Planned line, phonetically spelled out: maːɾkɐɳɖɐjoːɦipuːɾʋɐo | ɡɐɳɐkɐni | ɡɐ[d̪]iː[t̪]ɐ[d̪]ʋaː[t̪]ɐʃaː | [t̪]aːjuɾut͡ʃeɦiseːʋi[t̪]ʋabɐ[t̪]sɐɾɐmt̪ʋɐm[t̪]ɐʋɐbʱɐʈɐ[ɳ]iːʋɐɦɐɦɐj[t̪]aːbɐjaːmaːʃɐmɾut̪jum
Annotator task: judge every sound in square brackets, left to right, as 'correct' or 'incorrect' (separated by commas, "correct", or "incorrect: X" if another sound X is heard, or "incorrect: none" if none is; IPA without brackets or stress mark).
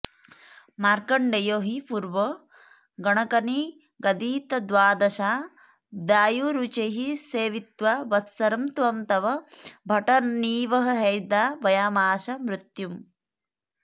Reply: correct, correct, correct, incorrect: d̪, incorrect: d̪, correct, correct, correct, incorrect: n, incorrect: d̪